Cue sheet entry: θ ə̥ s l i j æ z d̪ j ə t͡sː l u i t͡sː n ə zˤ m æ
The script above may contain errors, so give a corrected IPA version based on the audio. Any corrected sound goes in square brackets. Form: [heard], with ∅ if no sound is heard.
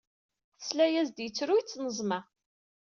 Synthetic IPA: θ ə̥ s l [æ] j æ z d̪ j ə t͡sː [ɾ] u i t͡sː n ə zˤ m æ